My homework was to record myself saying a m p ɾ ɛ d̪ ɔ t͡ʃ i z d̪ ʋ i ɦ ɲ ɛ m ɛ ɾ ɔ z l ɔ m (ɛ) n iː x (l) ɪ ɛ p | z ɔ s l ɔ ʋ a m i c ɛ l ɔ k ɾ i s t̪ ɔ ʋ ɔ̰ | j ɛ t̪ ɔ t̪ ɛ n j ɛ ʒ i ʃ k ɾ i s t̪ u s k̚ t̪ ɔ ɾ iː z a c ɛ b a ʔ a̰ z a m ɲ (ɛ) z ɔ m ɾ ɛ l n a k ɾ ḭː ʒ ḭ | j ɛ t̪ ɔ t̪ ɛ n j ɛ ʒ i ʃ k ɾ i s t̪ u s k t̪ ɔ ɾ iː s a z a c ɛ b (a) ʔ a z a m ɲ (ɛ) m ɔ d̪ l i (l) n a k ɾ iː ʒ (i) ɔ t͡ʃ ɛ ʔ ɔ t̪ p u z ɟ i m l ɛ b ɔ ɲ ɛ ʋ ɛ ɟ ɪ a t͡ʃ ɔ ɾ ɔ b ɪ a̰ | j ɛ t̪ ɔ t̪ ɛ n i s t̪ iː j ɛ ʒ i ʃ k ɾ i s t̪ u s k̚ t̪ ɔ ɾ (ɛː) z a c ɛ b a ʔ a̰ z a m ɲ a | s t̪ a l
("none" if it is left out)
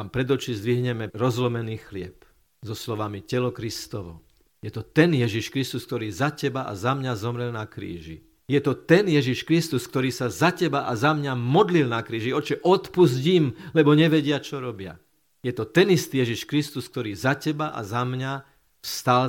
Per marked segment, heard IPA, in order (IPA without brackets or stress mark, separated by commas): ɛ, l, a, a, a, l, i, iː